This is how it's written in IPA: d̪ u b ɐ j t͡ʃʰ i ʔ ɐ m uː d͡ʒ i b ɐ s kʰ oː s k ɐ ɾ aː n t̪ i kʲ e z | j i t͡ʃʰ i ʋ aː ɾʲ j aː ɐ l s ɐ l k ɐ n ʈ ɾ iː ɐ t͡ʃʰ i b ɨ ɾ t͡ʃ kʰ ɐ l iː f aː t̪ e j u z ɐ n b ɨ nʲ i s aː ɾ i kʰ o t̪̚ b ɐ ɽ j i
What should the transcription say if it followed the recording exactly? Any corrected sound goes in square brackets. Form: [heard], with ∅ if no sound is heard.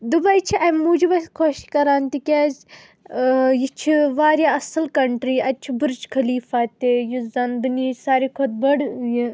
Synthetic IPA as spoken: d̪ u b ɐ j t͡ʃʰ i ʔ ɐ m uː d͡ʒ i b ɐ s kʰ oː [ʃ] k ɐ ɾ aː n t̪ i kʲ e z | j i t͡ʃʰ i ʋ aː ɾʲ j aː ɐ [∅] s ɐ l k ɐ [ɳ] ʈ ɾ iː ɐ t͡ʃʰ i b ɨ ɾ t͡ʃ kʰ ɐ l iː f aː t̪ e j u z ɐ n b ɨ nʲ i s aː ɾ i kʰ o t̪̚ b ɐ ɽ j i